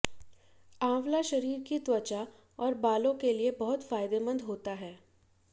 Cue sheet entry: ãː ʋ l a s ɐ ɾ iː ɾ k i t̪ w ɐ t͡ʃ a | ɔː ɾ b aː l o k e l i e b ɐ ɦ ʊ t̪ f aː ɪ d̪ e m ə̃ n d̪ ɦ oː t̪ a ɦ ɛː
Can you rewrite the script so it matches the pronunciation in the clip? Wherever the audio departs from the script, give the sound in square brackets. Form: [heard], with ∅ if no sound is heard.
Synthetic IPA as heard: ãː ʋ l a [ʃ] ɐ ɾ iː ɾ k i t̪ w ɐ t͡ʃ a | ɔː ɾ b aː l [õ] k e l i e b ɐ ɦ ʊ t̪ f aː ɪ d̪ e m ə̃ n d̪ ɦ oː t̪ a ɦ ɛː